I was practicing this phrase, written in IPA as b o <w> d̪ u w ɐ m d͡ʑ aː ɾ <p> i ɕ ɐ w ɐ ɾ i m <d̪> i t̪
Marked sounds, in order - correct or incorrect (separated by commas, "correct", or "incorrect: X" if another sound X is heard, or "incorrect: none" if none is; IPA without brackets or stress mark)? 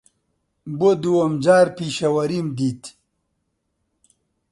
incorrect: none, correct, correct